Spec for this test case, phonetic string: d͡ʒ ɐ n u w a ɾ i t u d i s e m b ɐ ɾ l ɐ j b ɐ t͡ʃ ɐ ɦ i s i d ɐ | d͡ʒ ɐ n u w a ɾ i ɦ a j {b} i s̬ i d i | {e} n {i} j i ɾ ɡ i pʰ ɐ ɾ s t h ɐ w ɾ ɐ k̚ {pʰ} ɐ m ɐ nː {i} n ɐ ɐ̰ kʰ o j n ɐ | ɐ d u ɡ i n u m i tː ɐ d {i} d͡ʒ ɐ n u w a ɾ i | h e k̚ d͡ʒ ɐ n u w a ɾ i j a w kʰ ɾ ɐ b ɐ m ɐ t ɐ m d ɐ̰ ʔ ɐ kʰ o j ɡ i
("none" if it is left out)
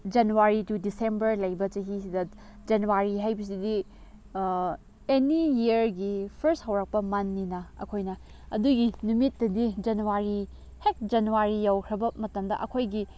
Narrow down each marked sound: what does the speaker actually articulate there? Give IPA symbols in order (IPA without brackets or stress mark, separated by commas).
b, e, i, p, i, i